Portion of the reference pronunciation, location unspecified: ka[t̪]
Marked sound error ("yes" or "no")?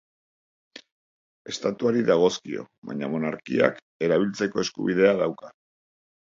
yes